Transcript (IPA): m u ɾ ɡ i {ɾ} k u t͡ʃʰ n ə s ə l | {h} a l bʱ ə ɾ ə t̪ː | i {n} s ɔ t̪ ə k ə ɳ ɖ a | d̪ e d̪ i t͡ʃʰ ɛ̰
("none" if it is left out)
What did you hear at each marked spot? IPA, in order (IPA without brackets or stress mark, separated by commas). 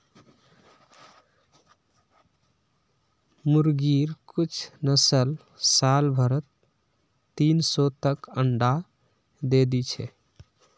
ɾ, s, n